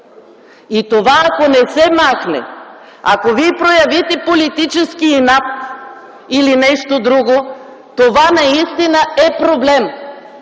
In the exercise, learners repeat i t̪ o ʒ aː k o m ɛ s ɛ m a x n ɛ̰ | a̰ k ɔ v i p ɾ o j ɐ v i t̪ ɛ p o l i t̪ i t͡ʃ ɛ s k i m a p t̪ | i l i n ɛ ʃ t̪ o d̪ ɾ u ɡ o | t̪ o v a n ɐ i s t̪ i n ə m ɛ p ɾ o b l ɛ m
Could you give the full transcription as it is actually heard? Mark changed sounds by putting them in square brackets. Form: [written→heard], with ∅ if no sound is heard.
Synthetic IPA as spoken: i t̪ o [ʒ→v] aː k o [m→n] ɛ s ɛ m a x n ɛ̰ | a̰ k [ɔ→o] v i p ɾ o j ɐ v i t̪ ɛ p o l i t̪ i t͡ʃ ɛ s k i [m→n] a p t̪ | i l i n ɛ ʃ t̪ o d̪ ɾ u ɡ o | t̪ o v a n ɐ i s t̪ i n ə [m→∅] ɛ p ɾ o b l ɛ m

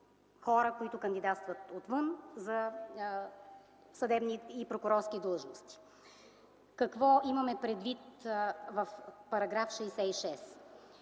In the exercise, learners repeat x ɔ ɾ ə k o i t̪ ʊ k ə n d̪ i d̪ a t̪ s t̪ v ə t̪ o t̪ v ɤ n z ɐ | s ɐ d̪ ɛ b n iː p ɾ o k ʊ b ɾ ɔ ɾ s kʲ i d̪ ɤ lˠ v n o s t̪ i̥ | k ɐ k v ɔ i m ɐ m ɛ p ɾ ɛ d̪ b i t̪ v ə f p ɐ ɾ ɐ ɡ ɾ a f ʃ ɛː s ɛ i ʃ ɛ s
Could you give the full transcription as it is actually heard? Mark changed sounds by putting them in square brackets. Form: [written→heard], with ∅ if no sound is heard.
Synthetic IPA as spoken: x ɔ ɾ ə k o i t̪ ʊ k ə n d̪ i d̪ a t̪ s t̪ v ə t̪ o t̪ v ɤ n z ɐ | s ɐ d̪ ɛ b n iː p ɾ o k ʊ [b→∅] ɾ ɔ ɾ s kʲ i d̪ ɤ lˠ [v→ʒ] n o s t̪ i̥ | k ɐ k v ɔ i m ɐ m ɛ p ɾ ɛ d̪ [b→v] i t̪ v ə f p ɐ ɾ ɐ ɡ ɾ a f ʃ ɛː s ɛ i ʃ ɛ s

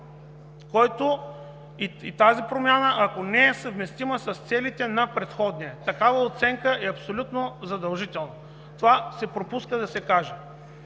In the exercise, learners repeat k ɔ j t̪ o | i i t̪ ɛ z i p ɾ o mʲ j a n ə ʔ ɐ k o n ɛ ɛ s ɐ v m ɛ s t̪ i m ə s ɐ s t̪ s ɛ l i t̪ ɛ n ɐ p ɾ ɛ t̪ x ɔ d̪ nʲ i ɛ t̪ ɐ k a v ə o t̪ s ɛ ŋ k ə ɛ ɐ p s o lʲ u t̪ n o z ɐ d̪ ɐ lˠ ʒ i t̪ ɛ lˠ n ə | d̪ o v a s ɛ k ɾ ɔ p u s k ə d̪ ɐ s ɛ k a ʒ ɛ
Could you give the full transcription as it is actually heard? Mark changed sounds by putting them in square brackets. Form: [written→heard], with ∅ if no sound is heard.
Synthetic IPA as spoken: k ɔ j t̪ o | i i t̪ [ɛ→a] z i p ɾ o mʲ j a n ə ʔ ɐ k o n ɛ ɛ s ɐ v m ɛ s t̪ i m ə s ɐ s t̪ s ɛ l i t̪ ɛ n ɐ p ɾ ɛ t̪ x ɔ d̪ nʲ i ɛ t̪ ɐ k a v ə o t̪ s ɛ ŋ k ə ɛ ɐ p s o lʲ u t̪ n o z ɐ d̪ ɐ lˠ ʒ i t̪ ɛ lˠ n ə | [d̪→t̪] o v a s ɛ [k→p] ɾ [ɔ→o] p u s k ə d̪ ɐ s ɛ k a ʒ ɛ

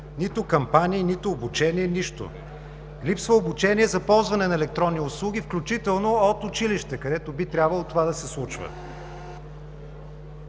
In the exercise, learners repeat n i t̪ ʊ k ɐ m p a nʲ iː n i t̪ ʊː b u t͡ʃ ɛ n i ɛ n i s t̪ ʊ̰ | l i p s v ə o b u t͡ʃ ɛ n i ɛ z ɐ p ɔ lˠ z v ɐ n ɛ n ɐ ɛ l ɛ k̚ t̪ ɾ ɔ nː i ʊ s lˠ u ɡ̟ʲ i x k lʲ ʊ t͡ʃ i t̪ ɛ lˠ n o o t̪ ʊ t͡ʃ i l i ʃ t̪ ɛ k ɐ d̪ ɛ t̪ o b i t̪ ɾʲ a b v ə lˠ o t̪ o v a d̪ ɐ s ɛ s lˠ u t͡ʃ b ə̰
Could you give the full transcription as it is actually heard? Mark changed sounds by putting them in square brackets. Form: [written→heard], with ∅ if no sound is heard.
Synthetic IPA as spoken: n i t̪ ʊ k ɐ m p a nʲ iː n i t̪ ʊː b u t͡ʃ ɛ n i ɛ n i [s→ʃ] t̪ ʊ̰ | l i p s v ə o b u t͡ʃ ɛ n i ɛ z ɐ p ɔ lˠ z v ɐ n ɛ n ɐ ɛ l ɛ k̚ t̪ ɾ ɔ nː i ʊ s lˠ u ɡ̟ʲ i [x→f] k lʲ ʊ t͡ʃ i t̪ ɛ lˠ n o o t̪ ʊ t͡ʃ i l i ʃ t̪ ɛ k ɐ d̪ ɛ t̪ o b i t̪ ɾʲ a b v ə lˠ o t̪ o v a d̪ ɐ s ɛ s lˠ u t͡ʃ [b→v] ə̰

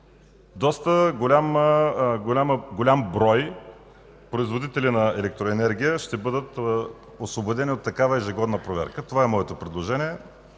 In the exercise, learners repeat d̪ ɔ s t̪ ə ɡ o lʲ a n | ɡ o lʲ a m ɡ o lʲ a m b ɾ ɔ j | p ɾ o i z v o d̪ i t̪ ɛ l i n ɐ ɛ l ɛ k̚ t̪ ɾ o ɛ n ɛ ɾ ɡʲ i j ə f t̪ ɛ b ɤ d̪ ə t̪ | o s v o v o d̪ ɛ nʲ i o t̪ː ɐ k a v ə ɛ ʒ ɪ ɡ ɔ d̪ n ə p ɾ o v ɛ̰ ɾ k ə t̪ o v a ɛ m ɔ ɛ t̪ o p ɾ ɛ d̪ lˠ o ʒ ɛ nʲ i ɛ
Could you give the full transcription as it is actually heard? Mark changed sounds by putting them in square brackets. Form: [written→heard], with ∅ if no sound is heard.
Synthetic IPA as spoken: d̪ ɔ s t̪ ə ɡ o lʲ a [n→m] | ɡ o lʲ a m ɡ o lʲ a m b ɾ ɔ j | p ɾ o i z v o d̪ i t̪ ɛ l i n ɐ ɛ l ɛ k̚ t̪ ɾ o ɛ n ɛ ɾ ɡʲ i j ə [f→ʃ] t̪ ɛ b ɤ d̪ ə t̪ | o s v o [v→b] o d̪ ɛ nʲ i o t̪ː ɐ k a v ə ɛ ʒ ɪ ɡ ɔ d̪ n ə p ɾ o v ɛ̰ ɾ k ə t̪ o v a ɛ m ɔ ɛ t̪ o p ɾ ɛ d̪ lˠ o ʒ ɛ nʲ i ɛ

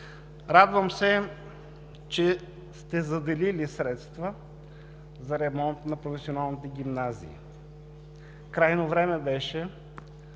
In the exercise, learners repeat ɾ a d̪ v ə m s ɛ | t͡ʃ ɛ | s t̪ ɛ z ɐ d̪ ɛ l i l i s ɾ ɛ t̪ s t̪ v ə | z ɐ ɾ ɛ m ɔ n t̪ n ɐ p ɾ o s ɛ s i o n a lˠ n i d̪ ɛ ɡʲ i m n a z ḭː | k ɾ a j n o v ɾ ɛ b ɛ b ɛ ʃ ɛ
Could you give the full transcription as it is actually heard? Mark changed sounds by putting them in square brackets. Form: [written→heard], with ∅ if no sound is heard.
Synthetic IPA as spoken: ɾ a d̪ v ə m s ɛ | t͡ʃ ɛ | s t̪ ɛ z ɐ d̪ ɛ l i l i s ɾ ɛ t̪ s t̪ v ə | z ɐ ɾ ɛ m ɔ n t̪ n ɐ p ɾ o [s→f] ɛ s i o n a lˠ n i [d̪→t̪] ɛ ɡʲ i m n a z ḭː | k ɾ a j n o v ɾ ɛ [b→m] ɛ b ɛ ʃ ɛ

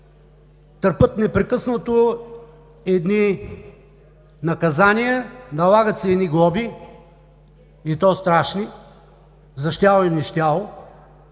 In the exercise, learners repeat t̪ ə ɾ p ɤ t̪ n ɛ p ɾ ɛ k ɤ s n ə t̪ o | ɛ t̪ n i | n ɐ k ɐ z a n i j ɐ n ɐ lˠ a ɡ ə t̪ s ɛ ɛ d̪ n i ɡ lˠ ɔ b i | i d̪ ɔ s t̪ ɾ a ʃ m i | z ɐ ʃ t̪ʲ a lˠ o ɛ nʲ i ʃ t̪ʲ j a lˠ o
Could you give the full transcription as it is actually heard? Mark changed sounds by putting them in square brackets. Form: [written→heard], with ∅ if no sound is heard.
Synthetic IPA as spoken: t̪ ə ɾ p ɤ t̪ n ɛ p ɾ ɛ k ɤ s n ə t̪ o | ɛ [t̪→d̪] n i | n ɐ k ɐ z a n i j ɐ n ɐ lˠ a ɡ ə t̪ s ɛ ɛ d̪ n i ɡ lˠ ɔ b i | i [d̪→t̪] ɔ s t̪ ɾ a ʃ [m→n] i | z ɐ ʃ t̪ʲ a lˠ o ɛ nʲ i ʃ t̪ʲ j a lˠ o

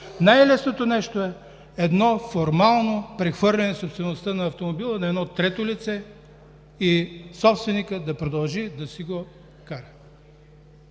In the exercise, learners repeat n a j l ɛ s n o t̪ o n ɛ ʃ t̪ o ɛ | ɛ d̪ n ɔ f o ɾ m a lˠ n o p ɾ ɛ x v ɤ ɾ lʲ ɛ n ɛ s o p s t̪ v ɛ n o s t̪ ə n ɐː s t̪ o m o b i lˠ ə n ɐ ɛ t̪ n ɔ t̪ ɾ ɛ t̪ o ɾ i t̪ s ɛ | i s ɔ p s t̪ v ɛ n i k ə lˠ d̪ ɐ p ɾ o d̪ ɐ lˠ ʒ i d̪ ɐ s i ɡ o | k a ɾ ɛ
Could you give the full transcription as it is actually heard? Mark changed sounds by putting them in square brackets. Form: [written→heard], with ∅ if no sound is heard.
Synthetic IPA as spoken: n a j l ɛ s n o t̪ o n ɛ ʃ t̪ o ɛ | ɛ d̪ n ɔ f o ɾ m a lˠ n o p ɾ ɛ x v ɤ ɾ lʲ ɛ n ɛ s o p s t̪ v ɛ n o s t̪ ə n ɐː [s→f] t̪ o m o b i lˠ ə n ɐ ɛ [t̪→d̪] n ɔ t̪ ɾ ɛ t̪ o [ɾ→l] i t̪ s ɛ | i s ɔ p s t̪ v ɛ n i k ə [lˠ→∅] d̪ ɐ p ɾ o d̪ ɐ lˠ ʒ i d̪ ɐ s i ɡ o | k a ɾ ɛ

